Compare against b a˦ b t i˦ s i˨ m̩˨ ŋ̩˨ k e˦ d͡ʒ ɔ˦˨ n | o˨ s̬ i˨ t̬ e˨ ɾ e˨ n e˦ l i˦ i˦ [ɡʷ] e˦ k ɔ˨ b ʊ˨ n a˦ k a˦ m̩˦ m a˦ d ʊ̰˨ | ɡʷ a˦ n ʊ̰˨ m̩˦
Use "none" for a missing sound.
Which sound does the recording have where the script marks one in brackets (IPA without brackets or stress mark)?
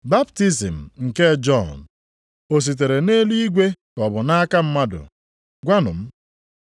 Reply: ɡʷ